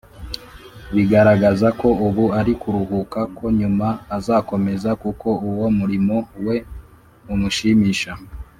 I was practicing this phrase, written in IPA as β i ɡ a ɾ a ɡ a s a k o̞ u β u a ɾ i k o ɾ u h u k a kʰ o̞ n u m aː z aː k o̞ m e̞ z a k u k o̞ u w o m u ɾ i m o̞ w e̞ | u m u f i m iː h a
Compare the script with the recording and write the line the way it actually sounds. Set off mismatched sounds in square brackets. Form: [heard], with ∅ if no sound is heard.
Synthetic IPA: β i ɡ a ɾ a ɡ a [z] a k o̞ u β u a ɾ i k [u] ɾ u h u k a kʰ o̞ [ɲ] u m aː z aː k o̞ m e̞ z a k u k o̞ u w o m u ɾ i m o̞ w e̞ | u m u [ʃ] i m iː [ʃ] a